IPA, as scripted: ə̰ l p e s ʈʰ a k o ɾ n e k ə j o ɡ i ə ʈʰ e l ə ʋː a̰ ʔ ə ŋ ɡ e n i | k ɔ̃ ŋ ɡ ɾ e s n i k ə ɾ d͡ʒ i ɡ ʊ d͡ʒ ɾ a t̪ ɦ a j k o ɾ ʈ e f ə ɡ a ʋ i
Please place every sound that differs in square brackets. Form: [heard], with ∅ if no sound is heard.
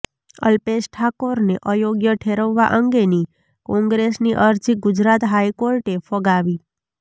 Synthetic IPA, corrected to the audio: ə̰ l p e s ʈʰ a k o ɾ n e [ʔ] ə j o ɡ [j] ə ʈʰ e [ɾ] ə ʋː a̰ ʔ ə ŋ ɡ e n i | k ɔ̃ ŋ ɡ ɾ e s n i [ʔ] ə ɾ d͡ʒ i ɡ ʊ d͡ʒ ɾ a t̪ ɦ a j k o ɾ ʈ e f ə ɡ a ʋ i